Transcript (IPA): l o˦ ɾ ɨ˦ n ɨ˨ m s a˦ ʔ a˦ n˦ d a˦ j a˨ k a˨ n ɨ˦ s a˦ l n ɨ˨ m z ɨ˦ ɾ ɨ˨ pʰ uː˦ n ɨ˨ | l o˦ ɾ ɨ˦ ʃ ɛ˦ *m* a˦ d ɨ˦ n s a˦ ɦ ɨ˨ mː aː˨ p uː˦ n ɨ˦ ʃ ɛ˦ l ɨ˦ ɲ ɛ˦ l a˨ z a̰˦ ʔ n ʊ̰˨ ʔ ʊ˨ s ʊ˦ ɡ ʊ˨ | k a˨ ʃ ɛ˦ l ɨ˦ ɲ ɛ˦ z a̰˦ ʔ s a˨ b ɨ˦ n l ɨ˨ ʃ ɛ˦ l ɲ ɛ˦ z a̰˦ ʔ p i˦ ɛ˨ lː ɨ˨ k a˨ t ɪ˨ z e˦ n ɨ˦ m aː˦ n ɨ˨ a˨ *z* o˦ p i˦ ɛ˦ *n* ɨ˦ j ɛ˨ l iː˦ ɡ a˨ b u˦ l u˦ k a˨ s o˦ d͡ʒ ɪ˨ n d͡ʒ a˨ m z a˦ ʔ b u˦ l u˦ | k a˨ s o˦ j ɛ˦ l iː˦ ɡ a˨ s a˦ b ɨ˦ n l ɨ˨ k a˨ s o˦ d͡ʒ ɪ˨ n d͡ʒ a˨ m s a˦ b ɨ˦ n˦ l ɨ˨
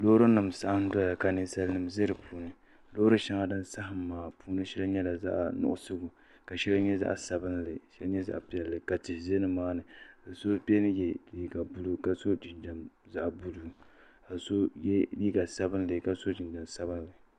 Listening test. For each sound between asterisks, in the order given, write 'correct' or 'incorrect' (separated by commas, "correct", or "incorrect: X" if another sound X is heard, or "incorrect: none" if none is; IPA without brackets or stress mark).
incorrect: ŋ, incorrect: s, correct